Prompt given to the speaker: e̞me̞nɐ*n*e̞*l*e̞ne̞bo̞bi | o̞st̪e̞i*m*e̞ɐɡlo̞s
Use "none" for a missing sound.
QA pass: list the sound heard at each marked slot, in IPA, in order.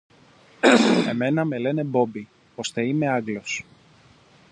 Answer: m, l, m

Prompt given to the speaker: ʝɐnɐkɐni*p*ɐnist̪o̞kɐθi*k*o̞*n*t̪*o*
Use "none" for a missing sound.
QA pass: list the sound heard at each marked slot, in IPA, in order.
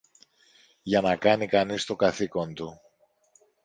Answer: k, k, n, u

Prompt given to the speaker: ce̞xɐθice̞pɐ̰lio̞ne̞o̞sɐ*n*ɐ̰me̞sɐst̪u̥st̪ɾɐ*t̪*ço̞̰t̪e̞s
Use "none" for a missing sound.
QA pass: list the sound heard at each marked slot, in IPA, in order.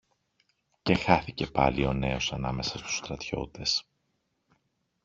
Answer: n, t̪

